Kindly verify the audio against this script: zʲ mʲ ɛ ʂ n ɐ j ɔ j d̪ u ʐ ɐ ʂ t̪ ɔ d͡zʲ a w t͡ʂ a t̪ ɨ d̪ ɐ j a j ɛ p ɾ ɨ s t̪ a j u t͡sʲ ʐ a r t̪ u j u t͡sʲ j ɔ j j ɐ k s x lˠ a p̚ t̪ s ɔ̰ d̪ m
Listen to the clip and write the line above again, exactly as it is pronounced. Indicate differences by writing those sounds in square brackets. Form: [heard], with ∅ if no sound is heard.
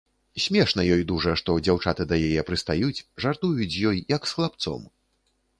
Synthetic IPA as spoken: [sʲ] mʲ ɛ ʂ n ɐ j ɔ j d̪ u ʐ ɐ ʂ t̪ ɔ d͡zʲ a w t͡ʂ a t̪ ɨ d̪ ɐ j a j ɛ p ɾ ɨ s t̪ a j u t͡sʲ ʐ a r t̪ u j u t͡sʲ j ɔ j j ɐ k s x lˠ a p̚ t̪ s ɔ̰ [∅] m